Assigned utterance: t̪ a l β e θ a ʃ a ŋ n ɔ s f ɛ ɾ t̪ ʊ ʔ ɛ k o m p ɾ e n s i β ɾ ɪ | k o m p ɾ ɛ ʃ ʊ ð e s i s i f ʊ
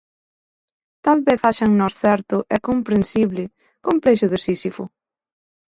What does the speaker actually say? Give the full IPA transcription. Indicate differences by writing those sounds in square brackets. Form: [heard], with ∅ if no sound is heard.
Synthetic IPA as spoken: t̪ a l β e θ a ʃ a ŋ n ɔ s [θ] ɛ ɾ t̪ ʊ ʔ ɛ k o m p ɾ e n s i β [l] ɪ | k o m p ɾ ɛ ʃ ʊ ð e s i s i f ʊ